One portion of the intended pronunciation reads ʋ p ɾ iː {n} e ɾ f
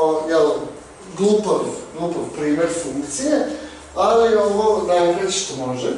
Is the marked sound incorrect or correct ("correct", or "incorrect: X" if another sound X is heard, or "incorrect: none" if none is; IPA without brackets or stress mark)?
incorrect: m